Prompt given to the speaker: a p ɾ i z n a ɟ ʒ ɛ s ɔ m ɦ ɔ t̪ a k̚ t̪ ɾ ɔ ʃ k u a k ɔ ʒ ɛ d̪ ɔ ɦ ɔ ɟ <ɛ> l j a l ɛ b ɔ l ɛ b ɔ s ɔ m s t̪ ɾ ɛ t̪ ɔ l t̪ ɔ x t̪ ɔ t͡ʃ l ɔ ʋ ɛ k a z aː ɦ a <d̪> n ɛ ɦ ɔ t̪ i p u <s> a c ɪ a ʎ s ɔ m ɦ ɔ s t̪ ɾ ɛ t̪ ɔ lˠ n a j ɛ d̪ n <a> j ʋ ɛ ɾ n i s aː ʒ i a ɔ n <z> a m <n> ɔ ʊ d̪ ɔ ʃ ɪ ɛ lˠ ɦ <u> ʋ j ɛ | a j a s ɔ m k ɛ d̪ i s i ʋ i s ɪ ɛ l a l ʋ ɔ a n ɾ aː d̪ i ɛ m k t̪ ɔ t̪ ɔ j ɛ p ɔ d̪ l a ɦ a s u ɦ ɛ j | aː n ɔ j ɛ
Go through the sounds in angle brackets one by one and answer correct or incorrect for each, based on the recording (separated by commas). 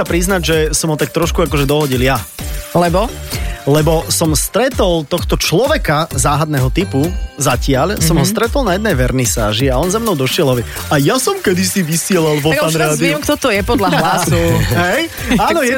incorrect, correct, incorrect, incorrect, correct, correct, incorrect